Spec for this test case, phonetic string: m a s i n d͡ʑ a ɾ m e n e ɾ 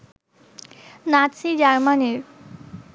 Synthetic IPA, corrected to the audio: n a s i d͡ʑ a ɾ m a n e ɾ